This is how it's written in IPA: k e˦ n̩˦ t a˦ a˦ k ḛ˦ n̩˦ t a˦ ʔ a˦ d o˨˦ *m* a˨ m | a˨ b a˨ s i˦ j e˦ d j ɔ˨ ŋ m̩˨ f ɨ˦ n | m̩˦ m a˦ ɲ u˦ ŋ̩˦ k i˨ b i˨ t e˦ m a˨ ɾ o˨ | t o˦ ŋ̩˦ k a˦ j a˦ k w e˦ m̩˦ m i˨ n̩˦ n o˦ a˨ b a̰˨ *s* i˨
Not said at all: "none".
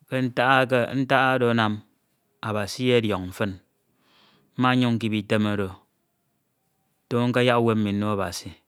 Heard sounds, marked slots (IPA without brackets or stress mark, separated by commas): n, s